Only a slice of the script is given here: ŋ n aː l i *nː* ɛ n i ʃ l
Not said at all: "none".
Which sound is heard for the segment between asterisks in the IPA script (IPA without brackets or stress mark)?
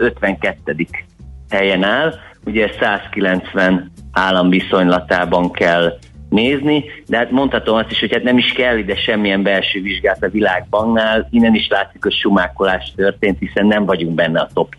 nː